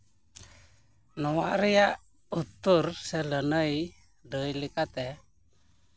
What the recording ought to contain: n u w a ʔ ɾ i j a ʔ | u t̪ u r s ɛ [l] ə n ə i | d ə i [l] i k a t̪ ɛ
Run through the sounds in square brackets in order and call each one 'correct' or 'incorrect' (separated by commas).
correct, correct